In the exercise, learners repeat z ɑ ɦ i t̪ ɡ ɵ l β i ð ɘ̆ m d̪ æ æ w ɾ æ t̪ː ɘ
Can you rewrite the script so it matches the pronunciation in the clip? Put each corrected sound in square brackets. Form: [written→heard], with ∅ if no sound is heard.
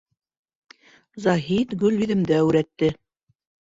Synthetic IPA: z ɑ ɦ i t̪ ɡ ɵ l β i ð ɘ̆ m d̪ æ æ w ɾ æ t̪ː ɘ